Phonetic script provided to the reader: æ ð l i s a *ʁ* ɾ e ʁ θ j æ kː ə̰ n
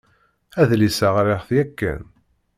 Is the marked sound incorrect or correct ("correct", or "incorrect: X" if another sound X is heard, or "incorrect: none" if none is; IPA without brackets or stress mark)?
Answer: correct